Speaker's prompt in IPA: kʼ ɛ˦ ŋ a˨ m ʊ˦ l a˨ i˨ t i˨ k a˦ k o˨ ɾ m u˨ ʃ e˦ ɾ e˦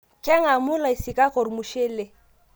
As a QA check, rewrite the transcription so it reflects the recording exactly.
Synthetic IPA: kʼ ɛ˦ ŋ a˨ m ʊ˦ l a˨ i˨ s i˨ k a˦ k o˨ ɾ m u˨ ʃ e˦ l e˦